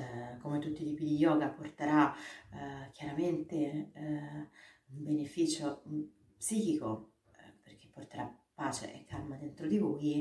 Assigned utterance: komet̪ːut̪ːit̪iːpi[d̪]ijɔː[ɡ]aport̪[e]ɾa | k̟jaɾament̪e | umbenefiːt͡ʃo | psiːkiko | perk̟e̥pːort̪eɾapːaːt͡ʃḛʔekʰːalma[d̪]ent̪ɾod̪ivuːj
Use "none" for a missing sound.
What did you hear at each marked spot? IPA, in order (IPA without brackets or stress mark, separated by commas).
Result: d̪, ɡ, e, d̪